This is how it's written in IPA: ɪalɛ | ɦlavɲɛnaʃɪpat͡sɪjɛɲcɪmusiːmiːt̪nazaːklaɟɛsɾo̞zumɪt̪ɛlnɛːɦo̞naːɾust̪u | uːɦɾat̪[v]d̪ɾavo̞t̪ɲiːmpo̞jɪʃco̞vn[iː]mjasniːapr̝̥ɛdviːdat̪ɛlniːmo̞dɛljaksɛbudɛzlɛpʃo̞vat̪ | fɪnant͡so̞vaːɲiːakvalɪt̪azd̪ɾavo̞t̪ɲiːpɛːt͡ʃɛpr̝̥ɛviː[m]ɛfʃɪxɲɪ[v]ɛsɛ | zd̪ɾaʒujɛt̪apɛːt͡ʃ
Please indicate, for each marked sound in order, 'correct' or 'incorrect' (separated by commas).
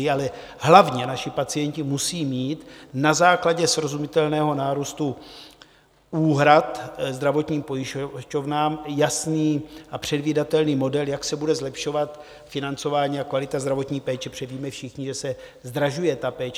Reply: incorrect, incorrect, correct, incorrect